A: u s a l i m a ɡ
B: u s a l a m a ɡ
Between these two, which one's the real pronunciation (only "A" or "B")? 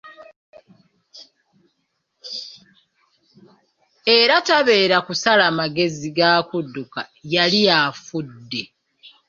B